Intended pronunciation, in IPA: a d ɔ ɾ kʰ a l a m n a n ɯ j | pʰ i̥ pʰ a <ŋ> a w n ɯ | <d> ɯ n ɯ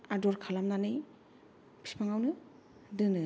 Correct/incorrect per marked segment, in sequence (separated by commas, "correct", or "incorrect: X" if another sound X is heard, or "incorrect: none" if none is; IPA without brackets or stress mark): correct, correct